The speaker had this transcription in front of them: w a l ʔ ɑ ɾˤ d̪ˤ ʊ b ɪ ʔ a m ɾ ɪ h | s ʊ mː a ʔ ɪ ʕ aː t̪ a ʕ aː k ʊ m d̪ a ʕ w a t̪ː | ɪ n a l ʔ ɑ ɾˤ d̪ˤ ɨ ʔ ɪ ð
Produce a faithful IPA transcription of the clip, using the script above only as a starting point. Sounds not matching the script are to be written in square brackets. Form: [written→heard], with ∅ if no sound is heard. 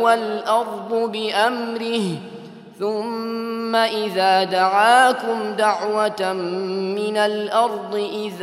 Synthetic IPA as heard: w a l ʔ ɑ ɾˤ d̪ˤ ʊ b ɪ ʔ a m ɾ ɪ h | [s→θ] ʊ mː a ʔ ɪ [ʕ→ð] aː [t̪→d̪] a ʕ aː k ʊ m d̪ a ʕ w a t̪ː | ɪ n a l ʔ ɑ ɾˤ d̪ˤ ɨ ʔ ɪ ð